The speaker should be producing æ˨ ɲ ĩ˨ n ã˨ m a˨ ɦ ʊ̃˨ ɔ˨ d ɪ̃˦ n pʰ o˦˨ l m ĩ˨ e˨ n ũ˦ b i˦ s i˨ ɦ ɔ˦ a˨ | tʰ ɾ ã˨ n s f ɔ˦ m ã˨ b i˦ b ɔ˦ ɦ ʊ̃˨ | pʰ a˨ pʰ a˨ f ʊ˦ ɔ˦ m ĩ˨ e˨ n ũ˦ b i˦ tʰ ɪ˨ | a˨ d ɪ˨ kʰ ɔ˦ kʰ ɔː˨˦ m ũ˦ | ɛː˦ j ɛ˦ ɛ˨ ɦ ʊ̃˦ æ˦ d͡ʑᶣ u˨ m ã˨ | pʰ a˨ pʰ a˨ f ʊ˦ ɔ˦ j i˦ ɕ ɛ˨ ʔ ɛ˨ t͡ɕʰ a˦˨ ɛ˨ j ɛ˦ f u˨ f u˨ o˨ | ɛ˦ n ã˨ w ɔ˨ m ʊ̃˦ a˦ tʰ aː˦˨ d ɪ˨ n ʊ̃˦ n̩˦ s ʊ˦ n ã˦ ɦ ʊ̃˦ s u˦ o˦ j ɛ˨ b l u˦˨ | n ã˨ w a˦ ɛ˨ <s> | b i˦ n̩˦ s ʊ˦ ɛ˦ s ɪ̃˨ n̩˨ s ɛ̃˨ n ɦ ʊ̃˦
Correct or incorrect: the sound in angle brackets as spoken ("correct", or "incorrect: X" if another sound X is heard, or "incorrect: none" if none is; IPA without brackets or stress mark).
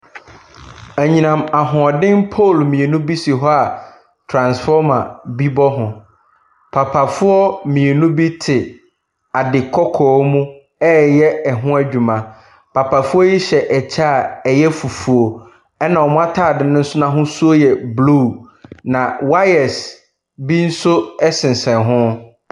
correct